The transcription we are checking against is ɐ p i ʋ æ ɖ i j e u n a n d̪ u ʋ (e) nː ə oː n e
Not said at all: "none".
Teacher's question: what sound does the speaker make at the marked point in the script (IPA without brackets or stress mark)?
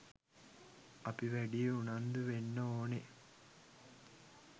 e